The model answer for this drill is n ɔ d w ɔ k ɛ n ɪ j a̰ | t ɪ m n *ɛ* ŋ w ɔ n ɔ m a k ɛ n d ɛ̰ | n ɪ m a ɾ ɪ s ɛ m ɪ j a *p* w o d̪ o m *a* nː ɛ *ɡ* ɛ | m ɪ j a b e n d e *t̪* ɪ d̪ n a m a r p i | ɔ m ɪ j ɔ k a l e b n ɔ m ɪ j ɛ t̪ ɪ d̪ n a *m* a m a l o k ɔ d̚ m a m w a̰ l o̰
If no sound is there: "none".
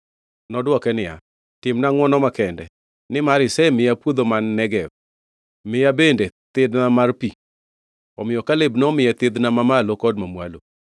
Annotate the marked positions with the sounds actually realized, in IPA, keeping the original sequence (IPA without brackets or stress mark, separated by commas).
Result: a, p, a, ɡ, t̪, m